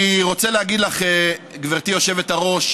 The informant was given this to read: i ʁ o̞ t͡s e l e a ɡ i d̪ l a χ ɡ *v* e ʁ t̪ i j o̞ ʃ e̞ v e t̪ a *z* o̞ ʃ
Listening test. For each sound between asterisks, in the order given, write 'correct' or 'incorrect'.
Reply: correct, incorrect: ʁ

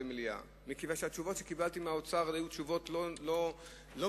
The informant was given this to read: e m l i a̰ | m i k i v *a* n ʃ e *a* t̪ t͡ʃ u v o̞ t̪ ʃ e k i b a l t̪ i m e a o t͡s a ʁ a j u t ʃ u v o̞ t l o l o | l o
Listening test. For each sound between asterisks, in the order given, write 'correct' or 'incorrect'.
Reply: correct, correct

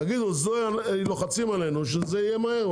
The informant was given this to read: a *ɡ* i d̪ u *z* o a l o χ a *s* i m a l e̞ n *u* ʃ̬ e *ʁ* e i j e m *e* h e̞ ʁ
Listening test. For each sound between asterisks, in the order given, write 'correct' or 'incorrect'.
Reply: correct, correct, incorrect: t͡s, correct, incorrect: z, incorrect: a

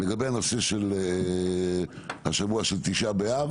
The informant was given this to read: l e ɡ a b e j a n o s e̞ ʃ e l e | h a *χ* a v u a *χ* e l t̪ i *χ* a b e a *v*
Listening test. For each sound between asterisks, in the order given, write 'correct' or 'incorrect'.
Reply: incorrect: ʃ, incorrect: ʃ, incorrect: ʃ, correct

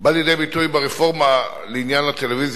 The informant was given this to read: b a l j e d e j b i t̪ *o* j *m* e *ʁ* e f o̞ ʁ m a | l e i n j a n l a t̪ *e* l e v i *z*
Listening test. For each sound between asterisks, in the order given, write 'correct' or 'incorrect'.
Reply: incorrect: u, incorrect: b, correct, correct, correct

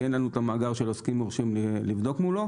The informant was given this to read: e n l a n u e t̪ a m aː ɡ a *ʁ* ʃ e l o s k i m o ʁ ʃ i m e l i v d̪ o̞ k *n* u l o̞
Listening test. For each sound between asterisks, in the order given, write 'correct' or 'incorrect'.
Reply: correct, incorrect: m

